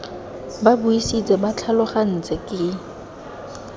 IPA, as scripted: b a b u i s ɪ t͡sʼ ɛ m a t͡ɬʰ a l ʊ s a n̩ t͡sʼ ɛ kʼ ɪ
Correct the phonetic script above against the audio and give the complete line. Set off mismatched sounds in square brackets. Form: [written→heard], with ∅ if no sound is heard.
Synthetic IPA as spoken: b a b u i s [ɪ→i] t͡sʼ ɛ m a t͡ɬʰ a l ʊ [s→χ] a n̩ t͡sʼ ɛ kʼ ɪ